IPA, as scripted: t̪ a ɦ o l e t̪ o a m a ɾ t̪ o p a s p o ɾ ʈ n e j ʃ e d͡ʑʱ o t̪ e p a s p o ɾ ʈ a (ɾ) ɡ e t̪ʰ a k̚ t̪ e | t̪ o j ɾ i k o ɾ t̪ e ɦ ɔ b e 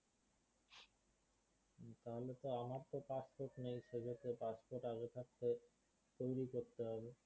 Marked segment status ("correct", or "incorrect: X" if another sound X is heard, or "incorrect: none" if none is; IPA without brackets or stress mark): incorrect: none